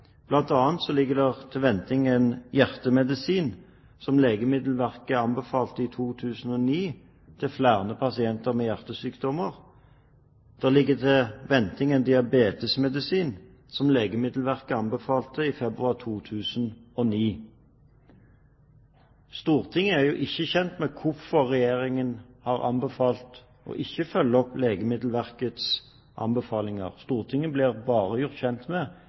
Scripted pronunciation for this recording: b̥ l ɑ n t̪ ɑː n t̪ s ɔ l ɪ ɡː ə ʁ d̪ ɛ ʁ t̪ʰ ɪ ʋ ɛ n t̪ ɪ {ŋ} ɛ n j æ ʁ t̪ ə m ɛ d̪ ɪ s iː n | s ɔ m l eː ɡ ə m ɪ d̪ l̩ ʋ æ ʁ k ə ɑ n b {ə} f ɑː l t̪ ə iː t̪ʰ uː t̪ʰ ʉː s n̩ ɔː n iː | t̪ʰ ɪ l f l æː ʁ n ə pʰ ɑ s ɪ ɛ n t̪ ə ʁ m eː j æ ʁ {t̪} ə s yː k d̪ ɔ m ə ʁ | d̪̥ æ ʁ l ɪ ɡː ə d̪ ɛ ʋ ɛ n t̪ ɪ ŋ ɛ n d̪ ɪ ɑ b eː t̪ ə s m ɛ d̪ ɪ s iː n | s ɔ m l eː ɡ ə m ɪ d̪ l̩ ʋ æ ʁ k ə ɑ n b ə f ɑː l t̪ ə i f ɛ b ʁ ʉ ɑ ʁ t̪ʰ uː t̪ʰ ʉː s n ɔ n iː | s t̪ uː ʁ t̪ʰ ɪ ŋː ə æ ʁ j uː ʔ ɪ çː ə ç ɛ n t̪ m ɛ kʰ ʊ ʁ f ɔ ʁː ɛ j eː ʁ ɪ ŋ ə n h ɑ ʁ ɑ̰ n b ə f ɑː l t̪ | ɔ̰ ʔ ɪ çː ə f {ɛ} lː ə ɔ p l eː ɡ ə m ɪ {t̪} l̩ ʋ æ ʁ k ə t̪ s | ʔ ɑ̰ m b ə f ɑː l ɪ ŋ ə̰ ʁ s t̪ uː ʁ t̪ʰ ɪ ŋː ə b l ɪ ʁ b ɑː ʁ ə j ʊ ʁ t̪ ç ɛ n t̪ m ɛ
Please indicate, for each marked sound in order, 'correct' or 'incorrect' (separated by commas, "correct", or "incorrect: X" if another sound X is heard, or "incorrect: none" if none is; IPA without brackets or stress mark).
correct, correct, correct, incorrect: œ, incorrect: d̪